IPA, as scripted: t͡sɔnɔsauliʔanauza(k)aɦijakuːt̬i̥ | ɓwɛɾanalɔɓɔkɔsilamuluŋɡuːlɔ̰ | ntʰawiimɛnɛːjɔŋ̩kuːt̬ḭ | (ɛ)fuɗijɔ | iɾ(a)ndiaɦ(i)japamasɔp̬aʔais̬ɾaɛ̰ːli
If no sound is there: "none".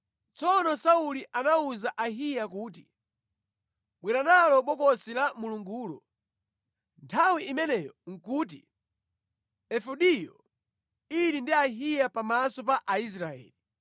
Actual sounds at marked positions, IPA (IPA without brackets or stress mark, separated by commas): ʔ, ɛ, i, i